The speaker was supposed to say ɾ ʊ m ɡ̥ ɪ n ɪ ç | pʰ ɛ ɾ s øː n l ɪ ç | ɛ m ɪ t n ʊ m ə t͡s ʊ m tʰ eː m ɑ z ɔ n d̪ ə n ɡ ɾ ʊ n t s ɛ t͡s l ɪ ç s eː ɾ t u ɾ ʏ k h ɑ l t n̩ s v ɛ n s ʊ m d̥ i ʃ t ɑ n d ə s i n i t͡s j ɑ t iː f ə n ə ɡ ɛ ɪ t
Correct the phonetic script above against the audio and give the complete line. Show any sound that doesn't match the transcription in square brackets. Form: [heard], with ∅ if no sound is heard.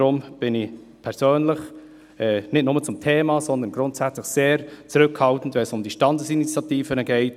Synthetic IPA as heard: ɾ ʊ m [b̥] ɪ n ɪ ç | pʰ ɛ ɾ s øː n l ɪ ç | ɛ [n] ɪ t n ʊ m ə t͡s ʊ m tʰ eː m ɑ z ɔ n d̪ ə n ɡ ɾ ʊ n t s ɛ t͡s l ɪ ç s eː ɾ [t͡s] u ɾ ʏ k h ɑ l t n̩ [t] v ɛ n s ʊ m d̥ i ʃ t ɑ n d ə s i n i t͡s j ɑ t iː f ə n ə ɡ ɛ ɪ t